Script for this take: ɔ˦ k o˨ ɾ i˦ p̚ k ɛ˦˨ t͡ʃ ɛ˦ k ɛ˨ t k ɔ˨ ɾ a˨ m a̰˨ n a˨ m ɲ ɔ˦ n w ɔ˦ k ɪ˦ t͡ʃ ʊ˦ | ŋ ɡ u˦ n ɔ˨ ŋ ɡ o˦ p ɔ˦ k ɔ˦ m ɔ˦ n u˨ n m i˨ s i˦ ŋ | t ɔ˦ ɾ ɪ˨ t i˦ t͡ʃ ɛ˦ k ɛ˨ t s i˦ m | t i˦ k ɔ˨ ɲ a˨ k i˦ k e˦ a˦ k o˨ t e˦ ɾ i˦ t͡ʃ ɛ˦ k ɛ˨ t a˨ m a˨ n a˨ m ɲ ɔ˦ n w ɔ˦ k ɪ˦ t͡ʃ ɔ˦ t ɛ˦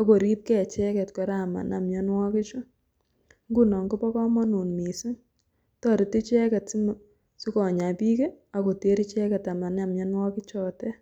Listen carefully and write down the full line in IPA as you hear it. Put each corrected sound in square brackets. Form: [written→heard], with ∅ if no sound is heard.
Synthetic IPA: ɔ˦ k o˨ ɾ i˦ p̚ k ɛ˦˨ t͡ʃ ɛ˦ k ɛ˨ t k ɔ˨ ɾ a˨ m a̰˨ n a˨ m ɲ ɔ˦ n w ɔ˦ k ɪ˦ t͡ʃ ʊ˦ | ŋ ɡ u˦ n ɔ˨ ŋ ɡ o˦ p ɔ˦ k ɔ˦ m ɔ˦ n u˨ n m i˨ s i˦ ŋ | t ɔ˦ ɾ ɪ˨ t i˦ t͡ʃ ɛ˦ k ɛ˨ t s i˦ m | [t→s] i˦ k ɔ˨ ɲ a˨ [k→p] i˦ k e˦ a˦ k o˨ t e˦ ɾ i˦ t͡ʃ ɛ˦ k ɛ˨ t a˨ m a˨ n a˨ m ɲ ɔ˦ n w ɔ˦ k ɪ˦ t͡ʃ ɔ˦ t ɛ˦